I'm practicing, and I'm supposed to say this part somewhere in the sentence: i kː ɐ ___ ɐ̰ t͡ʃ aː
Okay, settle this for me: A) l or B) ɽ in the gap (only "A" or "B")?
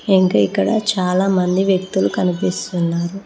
B